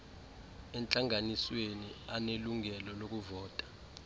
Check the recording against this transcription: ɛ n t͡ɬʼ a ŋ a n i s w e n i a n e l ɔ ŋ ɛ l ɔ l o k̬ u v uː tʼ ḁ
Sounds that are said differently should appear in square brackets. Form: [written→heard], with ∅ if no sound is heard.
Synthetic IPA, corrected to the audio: ɛ n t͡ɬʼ a ŋ a n i s w e n i a n e l [ɔ→u] ŋ ɛ l ɔ l o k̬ u v [uː→ɔː] tʼ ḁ